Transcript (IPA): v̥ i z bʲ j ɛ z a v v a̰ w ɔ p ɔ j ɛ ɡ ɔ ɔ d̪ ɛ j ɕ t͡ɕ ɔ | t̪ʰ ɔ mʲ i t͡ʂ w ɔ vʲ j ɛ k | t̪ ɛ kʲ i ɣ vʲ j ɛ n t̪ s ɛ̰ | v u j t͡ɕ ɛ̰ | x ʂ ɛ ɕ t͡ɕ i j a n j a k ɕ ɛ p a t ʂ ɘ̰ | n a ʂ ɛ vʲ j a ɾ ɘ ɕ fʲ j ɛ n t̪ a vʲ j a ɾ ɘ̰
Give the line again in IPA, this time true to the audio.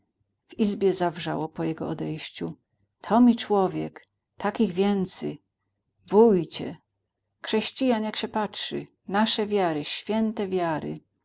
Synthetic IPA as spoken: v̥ i z bʲ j ɛ z a v ʐ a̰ w ɔ p ɔ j ɛ ɡ ɔ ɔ d̪ ɛ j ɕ t͡ɕ u | t̪ʰ ɔ mʲ i t͡ʂ w ɔ vʲ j ɛ k | t̪ a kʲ i ɣ vʲ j ɛ n t̪ s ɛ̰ | v u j t͡ɕ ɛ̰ | x ʂ ɛ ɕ t͡ɕ i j a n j a k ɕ ɛ p a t ʂ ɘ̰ | n a ʂ ɛ vʲ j a ɾ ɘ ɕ fʲ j ɛ n t̪ ɛ vʲ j a ɾ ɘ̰